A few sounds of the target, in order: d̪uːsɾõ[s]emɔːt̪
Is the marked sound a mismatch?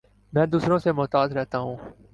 no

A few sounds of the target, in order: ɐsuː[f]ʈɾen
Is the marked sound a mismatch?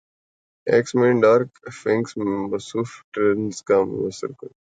no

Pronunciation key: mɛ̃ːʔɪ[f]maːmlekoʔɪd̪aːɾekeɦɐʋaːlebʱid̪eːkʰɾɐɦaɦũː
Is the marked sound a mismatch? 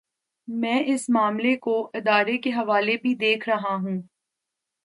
yes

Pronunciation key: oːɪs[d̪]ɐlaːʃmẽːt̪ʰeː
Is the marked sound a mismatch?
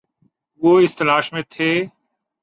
yes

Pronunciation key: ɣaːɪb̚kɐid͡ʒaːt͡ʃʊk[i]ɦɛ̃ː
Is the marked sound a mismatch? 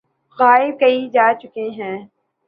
yes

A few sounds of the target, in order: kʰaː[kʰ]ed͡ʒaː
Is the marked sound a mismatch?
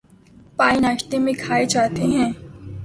yes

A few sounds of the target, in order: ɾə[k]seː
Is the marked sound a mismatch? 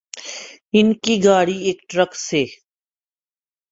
no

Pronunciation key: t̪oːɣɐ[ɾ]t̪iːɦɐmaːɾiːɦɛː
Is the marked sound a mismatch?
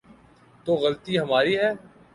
yes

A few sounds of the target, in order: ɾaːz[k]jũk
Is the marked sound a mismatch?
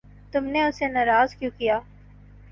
no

